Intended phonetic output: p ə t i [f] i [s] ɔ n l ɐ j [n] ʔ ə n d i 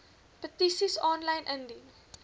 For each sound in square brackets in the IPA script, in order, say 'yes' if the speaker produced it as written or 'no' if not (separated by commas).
no, yes, yes